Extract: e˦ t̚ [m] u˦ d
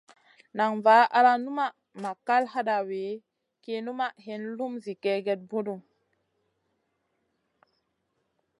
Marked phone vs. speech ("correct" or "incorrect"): incorrect